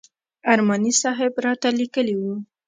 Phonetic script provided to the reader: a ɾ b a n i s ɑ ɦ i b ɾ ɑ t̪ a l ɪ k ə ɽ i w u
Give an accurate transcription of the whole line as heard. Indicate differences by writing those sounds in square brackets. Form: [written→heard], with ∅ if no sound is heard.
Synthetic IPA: a ɾ [b→m] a n i s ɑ ɦ [i→ɪ] b ɾ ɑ t̪ a l [ɪ→i] k ə [ɽ→l] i w u